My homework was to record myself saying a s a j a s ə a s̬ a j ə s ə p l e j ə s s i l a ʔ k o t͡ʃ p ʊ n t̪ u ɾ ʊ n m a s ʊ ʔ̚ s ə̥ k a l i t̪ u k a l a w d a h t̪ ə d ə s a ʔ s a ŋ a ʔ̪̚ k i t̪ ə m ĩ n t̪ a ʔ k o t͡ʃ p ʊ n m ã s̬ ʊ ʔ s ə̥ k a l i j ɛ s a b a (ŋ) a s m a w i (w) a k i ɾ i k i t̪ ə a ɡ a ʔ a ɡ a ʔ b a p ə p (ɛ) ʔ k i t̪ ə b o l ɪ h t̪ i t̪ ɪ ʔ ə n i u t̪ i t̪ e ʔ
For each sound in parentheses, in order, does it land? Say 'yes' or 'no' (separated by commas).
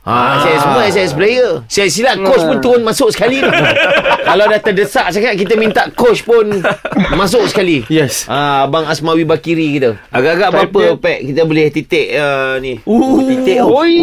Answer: yes, no, yes